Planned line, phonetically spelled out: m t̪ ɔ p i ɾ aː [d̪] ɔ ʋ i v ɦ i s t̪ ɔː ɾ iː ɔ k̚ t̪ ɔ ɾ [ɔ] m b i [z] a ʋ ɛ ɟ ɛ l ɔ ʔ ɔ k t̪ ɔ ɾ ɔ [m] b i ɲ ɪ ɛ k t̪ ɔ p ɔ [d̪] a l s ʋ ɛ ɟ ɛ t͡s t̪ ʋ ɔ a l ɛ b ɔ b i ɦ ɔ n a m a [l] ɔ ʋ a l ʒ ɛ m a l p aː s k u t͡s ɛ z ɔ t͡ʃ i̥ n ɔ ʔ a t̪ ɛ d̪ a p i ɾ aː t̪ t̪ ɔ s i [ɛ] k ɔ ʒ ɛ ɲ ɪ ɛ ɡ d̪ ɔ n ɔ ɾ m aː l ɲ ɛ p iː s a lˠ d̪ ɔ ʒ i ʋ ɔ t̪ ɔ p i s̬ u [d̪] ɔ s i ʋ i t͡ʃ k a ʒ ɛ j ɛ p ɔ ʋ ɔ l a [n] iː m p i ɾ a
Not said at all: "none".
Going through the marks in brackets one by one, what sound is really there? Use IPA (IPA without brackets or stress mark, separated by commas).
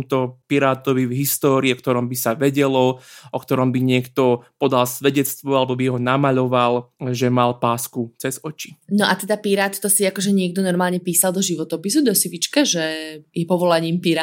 t̪, ɔ, s, m, d̪, ʎ, a, d̪, ɲ